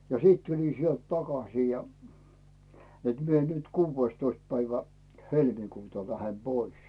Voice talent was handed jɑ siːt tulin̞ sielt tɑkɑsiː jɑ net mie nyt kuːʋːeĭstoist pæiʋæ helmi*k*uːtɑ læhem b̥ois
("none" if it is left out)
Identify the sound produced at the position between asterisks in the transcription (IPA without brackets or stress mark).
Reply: k